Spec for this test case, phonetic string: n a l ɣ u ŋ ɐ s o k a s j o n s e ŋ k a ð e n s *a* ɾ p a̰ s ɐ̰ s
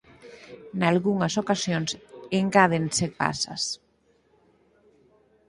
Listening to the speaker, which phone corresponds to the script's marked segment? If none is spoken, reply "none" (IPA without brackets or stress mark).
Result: e